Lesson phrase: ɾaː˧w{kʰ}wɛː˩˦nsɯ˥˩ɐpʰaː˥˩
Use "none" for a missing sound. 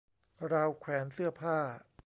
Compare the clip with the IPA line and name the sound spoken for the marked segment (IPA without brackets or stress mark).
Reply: kʰ